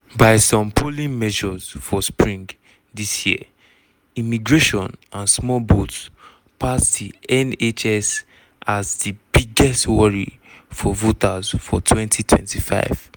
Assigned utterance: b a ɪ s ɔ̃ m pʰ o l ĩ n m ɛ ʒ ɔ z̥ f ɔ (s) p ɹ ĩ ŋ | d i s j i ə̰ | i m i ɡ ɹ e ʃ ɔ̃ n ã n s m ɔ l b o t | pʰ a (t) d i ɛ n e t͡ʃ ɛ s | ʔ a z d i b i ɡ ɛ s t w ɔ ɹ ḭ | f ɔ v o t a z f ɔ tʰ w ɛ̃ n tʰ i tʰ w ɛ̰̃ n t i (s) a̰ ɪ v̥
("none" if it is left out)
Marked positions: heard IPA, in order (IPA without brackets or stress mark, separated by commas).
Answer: s, s, f